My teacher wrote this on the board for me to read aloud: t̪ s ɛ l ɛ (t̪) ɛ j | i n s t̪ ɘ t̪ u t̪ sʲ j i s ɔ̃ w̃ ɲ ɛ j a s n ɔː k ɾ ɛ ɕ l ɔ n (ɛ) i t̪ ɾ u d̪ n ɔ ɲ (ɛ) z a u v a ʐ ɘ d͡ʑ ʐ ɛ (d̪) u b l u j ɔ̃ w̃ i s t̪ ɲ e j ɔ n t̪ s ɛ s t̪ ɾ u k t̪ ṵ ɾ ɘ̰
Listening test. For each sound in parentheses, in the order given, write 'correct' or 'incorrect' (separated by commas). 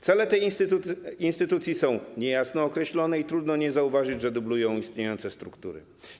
correct, correct, correct, correct